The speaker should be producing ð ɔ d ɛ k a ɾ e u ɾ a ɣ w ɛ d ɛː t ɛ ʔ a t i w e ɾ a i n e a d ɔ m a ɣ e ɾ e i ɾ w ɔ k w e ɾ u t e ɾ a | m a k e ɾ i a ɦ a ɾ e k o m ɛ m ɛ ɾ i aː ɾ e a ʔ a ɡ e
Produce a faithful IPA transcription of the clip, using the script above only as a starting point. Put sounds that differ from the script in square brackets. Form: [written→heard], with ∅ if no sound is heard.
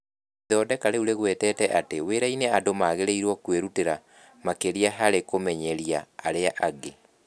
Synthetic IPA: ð ɔ d ɛ k a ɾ e u ɾ [a→e] ɣ w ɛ [d→t] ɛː t ɛ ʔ a t [i→e] w e ɾ a i n e a d [ɔ→o] m a ɣ e ɾ e i ɾ w ɔ k w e ɾ u t e ɾ a | m a k e ɾ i a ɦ a ɾ e k o m ɛ [m→ɲ] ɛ ɾ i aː ɾ e a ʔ a ɡ e

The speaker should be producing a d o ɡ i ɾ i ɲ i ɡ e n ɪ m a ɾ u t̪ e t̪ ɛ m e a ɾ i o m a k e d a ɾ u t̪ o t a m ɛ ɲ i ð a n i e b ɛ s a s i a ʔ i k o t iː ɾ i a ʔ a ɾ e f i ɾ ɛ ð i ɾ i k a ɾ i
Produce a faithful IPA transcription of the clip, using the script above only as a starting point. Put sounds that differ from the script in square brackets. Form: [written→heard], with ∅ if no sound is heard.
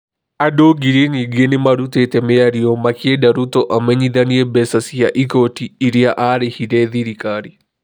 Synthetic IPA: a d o ɡ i ɾ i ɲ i ɡ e n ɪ m a ɾ u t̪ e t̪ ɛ m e a ɾ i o m a k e d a ɾ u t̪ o [t→ʔ] a m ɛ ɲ i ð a n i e b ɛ s a s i a ʔ i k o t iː ɾ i a ʔ a ɾ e [f→h] i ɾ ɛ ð i ɾ i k a ɾ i

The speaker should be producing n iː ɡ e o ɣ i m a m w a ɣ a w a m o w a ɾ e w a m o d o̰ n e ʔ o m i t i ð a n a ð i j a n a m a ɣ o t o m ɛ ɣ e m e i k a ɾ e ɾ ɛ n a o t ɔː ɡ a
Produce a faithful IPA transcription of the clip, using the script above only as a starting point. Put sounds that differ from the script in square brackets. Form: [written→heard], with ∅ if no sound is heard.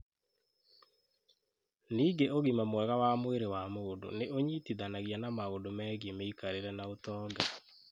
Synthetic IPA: n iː ɡ e o ɣ i m a m w [a→ɛ] ɣ a w a m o w [a→e] ɾ e w a m o d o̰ n e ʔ o [m→ɲ] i t i ð a n a [ð→ɣ] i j a n a m a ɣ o [t→d] o m ɛ ɣ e m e i k a ɾ e ɾ ɛ n a o t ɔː ɡ a

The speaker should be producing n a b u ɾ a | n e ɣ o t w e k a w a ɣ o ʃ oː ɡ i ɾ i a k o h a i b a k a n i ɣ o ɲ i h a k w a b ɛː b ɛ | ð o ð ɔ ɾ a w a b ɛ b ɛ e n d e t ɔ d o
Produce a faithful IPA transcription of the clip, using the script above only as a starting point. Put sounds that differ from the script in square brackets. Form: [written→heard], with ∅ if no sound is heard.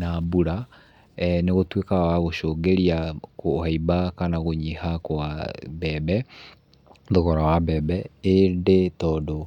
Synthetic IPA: n a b u ɾ a | n e ɣ o t w e k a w a ɣ o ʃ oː ɡ [i→e] ɾ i a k o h a i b a k a n [i→a] ɣ o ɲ i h a k w a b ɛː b ɛ | ð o [ð→ɣ] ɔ ɾ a w a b ɛ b ɛ e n d e t ɔ d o

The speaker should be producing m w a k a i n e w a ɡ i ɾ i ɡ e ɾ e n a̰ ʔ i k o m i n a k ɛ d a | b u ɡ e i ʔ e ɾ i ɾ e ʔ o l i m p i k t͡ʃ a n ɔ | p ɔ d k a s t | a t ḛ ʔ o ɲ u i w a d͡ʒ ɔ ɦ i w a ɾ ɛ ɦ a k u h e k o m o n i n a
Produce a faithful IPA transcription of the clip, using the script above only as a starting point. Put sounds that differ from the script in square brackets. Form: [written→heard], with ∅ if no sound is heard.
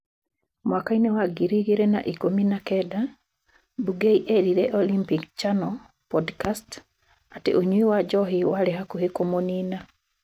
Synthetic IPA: m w a k a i n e w a ɡ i ɾ i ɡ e ɾ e n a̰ ʔ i k o m i n a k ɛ d a | b u ɡ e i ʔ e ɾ i ɾ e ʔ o l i m p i k t͡ʃ a n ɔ | p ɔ d k a s t | a t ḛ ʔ o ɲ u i w a d͡ʒ ɔ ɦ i w a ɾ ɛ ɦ a k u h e k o m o n i n a

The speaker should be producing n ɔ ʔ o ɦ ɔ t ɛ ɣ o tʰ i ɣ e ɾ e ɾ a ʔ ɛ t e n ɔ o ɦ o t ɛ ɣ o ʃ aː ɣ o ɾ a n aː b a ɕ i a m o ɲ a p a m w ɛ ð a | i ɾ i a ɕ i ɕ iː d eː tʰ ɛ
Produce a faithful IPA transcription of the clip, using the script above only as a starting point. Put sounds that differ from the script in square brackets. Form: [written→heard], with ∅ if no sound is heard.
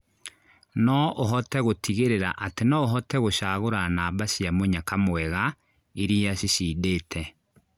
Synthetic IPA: n ɔ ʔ o ɦ ɔ t ɛ ɣ o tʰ i ɣ e ɾ e ɾ a ʔ [ɛ→a] t e n ɔ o ɦ [o→ɔ] t ɛ ɣ o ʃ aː ɣ o ɾ a n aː b a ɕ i a m o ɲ a [p→k] a m w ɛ [ð→ɣ] a | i ɾ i a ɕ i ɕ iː d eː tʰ ɛ

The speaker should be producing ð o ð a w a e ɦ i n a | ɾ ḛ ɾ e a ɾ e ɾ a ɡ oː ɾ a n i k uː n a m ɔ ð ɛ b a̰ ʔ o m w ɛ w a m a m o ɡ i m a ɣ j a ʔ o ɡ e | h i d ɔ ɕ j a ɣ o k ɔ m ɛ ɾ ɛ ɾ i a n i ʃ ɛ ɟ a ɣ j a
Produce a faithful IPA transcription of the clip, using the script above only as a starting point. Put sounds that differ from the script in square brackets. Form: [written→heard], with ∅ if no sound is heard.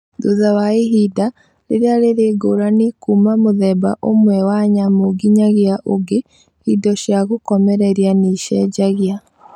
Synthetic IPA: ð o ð a w a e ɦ i [n→d] a | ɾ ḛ ɾ e a ɾ e ɾ [a→e] ɡ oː ɾ a n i k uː [n→m] a m [ɔ→o] ð ɛ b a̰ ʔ o m w ɛ w a [m→ɲ] a m o ɡ i [m→ɲ] a ɣ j a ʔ o ɡ e | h i d ɔ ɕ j a ɣ o k ɔ m ɛ ɾ ɛ ɾ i a n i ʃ ɛ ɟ a ɣ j a

